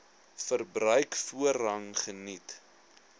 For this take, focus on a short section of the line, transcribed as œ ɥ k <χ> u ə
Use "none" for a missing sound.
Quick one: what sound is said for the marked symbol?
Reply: f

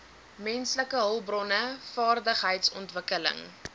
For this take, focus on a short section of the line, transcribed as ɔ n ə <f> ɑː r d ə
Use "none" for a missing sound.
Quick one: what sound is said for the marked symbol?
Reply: f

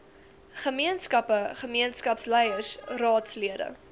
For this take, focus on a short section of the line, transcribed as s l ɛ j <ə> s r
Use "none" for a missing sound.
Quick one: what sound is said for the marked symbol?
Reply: ə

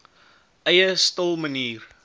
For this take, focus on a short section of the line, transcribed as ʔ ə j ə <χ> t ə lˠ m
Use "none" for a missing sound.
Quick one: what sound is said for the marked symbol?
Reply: s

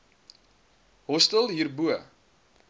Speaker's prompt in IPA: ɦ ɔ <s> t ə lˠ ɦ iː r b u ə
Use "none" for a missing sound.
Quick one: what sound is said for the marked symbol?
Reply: s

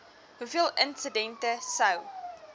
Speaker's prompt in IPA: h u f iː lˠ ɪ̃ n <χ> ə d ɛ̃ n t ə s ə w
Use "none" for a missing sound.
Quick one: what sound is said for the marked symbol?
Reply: s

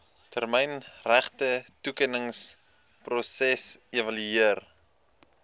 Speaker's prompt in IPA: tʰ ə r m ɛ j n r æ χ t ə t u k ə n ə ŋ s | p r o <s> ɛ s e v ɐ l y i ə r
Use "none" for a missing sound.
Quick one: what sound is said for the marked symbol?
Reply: s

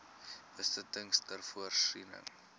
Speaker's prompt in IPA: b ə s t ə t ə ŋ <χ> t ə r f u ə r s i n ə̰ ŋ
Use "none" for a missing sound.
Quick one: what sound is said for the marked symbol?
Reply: s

